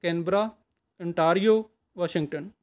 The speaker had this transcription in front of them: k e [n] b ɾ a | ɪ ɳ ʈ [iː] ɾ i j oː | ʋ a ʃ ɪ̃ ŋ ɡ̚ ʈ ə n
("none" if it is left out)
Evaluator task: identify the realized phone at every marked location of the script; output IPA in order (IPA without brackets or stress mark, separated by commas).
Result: n, aː